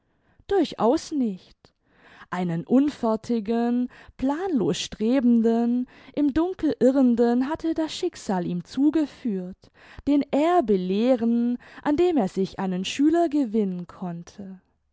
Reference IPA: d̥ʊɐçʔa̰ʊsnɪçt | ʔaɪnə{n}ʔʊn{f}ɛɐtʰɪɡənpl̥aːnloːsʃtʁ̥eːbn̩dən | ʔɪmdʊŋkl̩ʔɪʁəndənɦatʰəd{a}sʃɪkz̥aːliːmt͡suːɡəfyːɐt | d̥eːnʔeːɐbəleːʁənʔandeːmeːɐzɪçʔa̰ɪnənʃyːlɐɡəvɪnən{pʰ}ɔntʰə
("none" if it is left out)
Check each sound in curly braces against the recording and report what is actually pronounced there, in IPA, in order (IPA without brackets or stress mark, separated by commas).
n, f, a, kʰ